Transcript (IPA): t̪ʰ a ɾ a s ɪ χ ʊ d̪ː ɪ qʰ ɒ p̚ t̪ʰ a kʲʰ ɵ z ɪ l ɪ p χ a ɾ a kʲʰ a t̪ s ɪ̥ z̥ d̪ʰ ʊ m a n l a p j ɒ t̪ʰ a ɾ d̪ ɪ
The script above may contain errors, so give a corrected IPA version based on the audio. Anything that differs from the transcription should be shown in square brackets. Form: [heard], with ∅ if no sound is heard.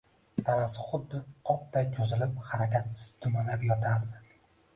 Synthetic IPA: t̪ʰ a ɾ a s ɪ χ ʊ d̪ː ɪ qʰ ɒ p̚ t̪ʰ a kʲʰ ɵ z ɪ l ɪ p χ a ɾ a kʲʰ a t̪ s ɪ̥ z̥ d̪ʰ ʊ m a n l a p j ɒ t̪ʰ a ɾ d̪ ɪ